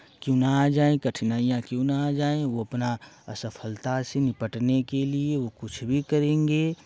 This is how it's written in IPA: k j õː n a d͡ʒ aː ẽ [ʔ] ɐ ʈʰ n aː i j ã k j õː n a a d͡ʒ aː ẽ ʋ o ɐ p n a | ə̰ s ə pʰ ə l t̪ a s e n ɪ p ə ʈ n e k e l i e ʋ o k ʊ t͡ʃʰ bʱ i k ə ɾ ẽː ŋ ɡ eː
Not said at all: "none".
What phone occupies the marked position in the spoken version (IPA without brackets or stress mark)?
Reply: k